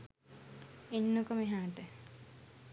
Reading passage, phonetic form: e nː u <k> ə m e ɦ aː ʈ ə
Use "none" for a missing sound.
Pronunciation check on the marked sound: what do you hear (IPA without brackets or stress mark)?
k